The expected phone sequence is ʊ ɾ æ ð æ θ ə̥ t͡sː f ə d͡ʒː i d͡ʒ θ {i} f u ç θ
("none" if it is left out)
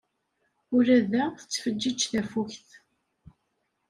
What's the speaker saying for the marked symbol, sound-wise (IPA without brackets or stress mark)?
æ